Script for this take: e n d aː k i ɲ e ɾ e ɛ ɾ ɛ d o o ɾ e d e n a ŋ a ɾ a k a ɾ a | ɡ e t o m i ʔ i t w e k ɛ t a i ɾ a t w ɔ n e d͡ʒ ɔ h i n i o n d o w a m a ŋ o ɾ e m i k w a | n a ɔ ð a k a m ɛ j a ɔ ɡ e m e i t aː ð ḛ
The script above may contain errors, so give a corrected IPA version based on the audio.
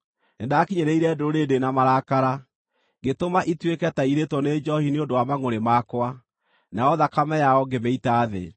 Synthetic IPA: e n d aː k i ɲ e ɾ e i ɾ ɛ d o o ɾ e d e n a m a ɾ a k a ɾ a | ɡ e t o m a ʔ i t w e k ɛ t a i ɾ e t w ɔ n e d͡ʒ ɔ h i n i o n d o w a m a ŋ o ɾ e m a k w a | n a ɔ ð a k a m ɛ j a ɔ ɡ e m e i t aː ð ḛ

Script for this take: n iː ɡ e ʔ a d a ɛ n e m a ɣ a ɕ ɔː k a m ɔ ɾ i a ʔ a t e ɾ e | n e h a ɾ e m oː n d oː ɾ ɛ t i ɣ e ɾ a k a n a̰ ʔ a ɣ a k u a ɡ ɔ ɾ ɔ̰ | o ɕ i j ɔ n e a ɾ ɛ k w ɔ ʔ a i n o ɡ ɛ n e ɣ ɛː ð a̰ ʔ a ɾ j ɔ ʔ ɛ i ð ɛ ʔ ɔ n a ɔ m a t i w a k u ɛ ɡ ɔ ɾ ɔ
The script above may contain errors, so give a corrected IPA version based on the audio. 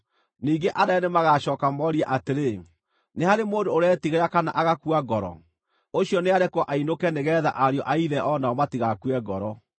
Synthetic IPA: n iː ɡ e ʔ a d a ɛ n e m a ɣ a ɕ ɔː k a m ɔ ɾ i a ʔ a t e ɾ e | n e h a ɾ e m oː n d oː ɾ ɛ t i ɣ e ɾ a k a n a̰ ʔ a ɣ a k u a ɡ ɔ ɾ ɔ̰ | o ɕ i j ɔ n e a ɾ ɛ k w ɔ ʔ a i n o k ɛ n e ɣ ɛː ð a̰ ʔ a ɾ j ɔ ʔ a i ð ɛ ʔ ɔ n a ɔ m a t i ɣ a k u ɛ ɡ ɔ ɾ ɔ

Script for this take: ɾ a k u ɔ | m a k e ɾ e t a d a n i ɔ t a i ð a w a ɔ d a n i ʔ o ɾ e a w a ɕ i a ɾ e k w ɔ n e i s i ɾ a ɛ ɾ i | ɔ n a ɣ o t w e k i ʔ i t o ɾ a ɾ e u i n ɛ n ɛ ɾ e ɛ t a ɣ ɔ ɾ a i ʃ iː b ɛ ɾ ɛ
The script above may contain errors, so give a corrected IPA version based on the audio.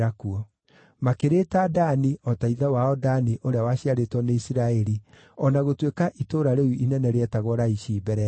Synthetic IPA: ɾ a k u ɔ | m a k e ɾ e t a d a n i ɔ t a i ð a w a ɔ d a n i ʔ o ɾ e a w a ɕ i a ɾ e t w ɔ n e i s i ɾ a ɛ ɾ i | ɔ n a ɣ o t w e k a ʔ i t o ɾ a ɾ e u i n ɛ n ɛ ɾ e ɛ t a ɣ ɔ ɾ a i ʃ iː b ɛ ɾ ɛ

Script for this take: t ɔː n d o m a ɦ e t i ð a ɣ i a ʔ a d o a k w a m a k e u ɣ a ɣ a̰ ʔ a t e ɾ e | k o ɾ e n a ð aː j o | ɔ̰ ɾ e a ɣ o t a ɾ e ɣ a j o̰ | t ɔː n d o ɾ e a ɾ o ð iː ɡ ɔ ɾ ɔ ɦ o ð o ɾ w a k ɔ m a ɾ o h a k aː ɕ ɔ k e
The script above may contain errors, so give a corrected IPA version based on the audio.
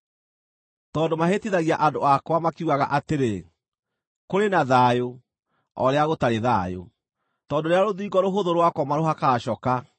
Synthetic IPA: t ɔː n d o m a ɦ e t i ð a ɣ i a ʔ a d o a k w a m a k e u ɣ a ɣ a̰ ʔ a t e ɾ e | k o ɾ e n a ð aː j o | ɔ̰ ɾ e a ɣ o t a ɾ e ð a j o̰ | t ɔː n d o ɾ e a ɾ o ð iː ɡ ɔ ɾ o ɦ o ð o ɾ w a k ɔ m a ɾ o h a k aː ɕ ɔ k a

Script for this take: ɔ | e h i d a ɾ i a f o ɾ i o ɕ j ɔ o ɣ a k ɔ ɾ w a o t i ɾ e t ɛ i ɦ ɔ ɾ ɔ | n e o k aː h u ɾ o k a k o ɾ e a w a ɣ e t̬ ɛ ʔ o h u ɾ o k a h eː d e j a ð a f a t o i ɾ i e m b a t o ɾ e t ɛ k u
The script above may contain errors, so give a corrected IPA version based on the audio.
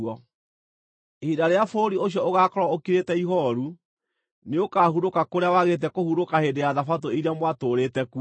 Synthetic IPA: ɔ | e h i d a ɾ e a f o ɾ i o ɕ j ɔ o ɣ a k ɔ ɾ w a o k i ɾ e t ɛ i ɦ ɔ ɾ u | n e o k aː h u ɾ o k a k o ɾ e a w a ɣ e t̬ ɛ k o h u ɾ o k a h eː d e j a ð a f a t o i ɾ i a m w a t o ɾ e t ɛ k u

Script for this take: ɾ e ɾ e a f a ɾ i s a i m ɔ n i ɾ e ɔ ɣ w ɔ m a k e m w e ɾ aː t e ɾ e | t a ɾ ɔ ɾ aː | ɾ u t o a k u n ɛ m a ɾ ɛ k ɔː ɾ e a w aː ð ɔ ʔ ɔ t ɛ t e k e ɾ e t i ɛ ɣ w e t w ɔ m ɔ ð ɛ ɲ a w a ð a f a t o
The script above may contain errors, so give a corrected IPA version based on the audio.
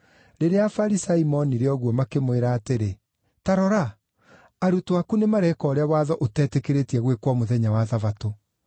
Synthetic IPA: ɾ e ɾ e a f a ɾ i s a i m ɔ n i ɾ e ɔ ɣ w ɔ m a k e m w e ɾ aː t e ɾ e | t a ɾ ɔ ɾ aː | ɾ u t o a k u n e m a ɾ ɛ k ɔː ɾ e a w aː ð ɔ ʔ o t ɛ t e k e ɾ e t i ɛ ɣ w e k w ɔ m o ð ɛ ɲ a w a ð a v a t o

